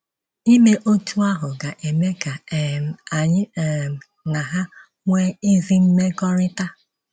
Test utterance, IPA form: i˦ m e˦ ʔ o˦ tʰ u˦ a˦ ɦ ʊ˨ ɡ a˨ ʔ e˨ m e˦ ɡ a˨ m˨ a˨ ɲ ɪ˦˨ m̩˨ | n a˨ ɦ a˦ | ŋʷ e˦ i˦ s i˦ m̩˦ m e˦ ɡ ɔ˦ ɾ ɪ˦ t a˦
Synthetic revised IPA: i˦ m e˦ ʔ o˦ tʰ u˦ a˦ ɦ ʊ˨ ɡ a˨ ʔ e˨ m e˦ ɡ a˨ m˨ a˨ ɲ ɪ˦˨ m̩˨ | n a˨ ɦ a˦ | ŋʷ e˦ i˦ z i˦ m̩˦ m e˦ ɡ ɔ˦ ɾ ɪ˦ t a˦